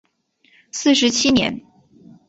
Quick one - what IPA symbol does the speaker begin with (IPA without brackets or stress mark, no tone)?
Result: s